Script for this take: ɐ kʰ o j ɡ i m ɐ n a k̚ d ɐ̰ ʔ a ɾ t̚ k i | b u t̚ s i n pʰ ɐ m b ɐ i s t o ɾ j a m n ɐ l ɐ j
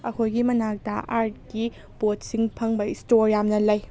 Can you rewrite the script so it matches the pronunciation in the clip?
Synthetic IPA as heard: ɐ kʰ o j ɡ i m ɐ n a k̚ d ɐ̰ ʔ a ɾ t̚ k i | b o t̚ s i ŋ pʰ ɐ ŋ b ɐ i s t o ɾ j a m n ɐ l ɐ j